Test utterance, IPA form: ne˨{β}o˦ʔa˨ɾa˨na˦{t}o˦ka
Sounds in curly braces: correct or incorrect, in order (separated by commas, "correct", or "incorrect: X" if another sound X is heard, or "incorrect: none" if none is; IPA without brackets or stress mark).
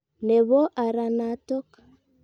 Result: correct, correct